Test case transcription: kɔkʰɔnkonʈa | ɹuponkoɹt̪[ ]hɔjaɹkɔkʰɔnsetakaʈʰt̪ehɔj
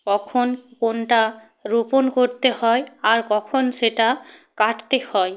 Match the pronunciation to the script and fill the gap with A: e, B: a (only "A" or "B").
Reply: A